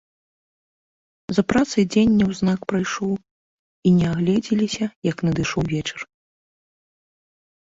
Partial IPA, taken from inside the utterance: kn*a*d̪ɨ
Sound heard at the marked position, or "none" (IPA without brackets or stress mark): ɐ